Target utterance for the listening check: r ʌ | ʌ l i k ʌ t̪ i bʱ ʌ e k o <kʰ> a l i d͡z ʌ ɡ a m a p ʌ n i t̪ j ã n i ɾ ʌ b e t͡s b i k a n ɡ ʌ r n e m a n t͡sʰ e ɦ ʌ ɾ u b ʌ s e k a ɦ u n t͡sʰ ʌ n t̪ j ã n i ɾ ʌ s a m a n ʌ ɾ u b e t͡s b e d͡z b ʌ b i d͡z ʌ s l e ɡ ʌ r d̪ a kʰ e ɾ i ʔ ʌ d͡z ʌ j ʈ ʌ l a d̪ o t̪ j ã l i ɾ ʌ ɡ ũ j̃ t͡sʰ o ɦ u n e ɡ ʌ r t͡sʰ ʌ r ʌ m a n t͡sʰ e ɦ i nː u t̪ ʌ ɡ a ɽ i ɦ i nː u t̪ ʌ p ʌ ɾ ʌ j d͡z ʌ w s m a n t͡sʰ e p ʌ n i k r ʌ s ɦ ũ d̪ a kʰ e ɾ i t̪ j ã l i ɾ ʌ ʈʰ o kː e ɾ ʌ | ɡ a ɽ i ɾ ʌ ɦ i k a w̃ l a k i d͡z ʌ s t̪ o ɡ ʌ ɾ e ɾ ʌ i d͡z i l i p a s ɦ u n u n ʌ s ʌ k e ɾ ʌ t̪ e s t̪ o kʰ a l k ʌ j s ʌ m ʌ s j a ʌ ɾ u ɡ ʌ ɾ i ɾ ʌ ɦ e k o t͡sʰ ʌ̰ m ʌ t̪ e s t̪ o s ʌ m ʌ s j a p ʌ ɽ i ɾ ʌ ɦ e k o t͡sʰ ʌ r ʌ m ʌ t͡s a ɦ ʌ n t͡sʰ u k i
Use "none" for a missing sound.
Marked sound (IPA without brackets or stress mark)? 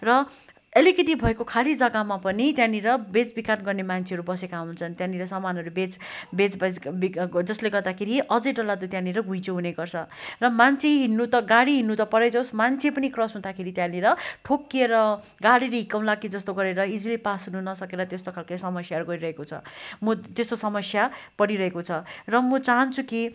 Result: kʰ